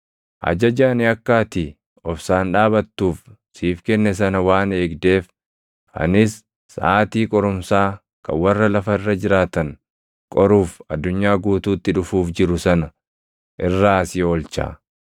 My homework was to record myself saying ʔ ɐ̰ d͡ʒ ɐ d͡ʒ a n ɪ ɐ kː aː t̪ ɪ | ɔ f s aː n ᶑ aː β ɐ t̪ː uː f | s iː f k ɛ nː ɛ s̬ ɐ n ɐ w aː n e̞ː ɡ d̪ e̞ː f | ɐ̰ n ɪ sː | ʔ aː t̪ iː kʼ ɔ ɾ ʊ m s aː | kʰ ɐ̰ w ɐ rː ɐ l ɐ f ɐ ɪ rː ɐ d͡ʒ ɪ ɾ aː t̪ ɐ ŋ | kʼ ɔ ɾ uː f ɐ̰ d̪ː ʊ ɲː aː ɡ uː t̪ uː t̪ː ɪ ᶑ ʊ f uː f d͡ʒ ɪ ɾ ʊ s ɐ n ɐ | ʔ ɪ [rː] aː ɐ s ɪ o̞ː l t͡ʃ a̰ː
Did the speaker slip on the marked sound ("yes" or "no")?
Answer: no